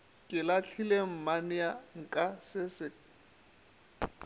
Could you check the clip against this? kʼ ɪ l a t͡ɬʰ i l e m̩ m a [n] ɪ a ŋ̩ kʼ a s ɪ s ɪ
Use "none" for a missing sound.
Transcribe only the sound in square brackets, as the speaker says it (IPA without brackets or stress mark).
n